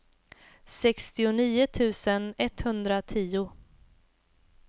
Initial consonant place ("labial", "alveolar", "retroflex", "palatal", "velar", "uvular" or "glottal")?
alveolar